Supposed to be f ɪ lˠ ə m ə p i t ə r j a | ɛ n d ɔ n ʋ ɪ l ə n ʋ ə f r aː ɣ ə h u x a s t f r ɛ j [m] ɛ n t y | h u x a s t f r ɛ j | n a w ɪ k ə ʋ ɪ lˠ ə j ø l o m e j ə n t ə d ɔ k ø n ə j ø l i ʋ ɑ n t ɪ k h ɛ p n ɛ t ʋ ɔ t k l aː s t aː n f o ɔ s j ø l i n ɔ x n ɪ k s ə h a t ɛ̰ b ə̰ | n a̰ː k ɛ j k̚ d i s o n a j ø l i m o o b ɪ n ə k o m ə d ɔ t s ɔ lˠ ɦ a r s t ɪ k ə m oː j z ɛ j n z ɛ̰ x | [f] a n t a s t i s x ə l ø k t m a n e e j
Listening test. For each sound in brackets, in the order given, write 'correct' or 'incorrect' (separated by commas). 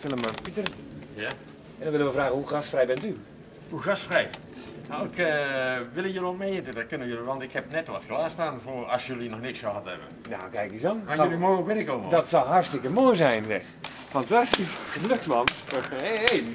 incorrect, correct